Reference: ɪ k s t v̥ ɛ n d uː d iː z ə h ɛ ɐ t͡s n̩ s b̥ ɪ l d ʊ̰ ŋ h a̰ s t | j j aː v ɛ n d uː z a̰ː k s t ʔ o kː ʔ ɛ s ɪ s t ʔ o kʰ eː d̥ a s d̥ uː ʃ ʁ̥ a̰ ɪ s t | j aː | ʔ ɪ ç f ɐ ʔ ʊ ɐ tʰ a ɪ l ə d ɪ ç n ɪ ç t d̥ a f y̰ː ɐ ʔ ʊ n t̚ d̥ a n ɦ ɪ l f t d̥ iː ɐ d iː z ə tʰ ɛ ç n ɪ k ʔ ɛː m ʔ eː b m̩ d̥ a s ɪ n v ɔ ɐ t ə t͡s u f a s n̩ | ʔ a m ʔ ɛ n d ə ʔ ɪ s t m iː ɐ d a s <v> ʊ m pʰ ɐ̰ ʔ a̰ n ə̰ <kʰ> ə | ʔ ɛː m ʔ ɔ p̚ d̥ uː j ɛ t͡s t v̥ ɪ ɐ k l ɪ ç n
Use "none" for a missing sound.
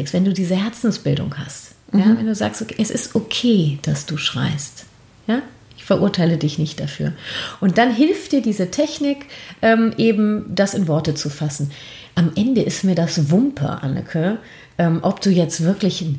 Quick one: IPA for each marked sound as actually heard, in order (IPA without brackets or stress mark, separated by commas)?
v, kʰ